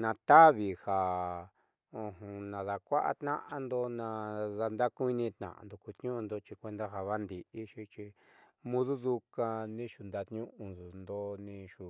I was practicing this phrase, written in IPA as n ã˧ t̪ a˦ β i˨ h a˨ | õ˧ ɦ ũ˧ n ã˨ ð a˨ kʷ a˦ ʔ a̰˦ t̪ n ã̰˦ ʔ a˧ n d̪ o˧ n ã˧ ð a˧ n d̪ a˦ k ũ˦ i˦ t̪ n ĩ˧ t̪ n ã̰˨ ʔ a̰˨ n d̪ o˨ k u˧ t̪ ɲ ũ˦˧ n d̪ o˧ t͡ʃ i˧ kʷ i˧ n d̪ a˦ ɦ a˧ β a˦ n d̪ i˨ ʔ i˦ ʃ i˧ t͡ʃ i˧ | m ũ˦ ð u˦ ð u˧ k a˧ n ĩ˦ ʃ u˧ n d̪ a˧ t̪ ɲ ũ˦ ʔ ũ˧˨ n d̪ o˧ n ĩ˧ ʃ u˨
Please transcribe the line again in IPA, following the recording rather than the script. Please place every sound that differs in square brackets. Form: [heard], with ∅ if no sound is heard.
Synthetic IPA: n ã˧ t̪ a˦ β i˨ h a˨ | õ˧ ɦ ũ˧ n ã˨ ð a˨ kʷ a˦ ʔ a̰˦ t̪ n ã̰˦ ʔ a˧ n d̪ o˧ n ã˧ ð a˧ n d̪ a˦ k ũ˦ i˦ [∅] n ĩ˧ t̪ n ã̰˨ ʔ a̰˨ n d̪ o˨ k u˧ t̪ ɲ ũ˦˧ n d̪ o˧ t͡ʃ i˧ kʷ [e˧] n d̪ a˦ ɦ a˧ β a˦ n d̪ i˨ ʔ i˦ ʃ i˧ t͡ʃ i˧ | m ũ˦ ð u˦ ð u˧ k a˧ n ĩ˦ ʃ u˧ n d̪ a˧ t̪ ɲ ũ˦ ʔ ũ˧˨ n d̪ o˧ n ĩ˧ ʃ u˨